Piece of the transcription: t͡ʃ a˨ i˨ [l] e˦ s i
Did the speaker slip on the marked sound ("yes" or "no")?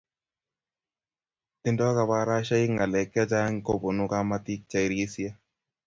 yes